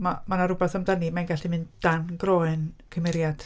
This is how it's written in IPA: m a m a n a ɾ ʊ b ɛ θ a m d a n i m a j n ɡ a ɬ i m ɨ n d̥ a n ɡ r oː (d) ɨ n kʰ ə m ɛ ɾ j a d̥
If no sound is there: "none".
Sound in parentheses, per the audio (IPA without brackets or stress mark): none